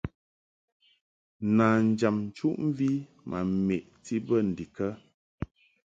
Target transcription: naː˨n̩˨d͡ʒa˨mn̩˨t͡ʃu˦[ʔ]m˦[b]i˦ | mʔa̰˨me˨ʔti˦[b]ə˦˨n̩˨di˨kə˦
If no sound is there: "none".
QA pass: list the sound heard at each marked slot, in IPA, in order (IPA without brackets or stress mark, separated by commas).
ʔ, v, b